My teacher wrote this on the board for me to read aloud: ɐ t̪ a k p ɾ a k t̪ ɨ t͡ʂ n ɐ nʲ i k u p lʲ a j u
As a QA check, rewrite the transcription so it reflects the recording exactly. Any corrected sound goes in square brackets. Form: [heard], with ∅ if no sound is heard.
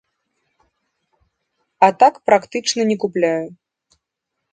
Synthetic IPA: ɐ t̪ a k p ɾ a k t̪ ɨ t͡ʂ n ɐ nʲ [ɛ] k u p lʲ a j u